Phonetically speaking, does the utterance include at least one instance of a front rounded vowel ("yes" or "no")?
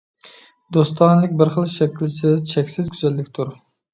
yes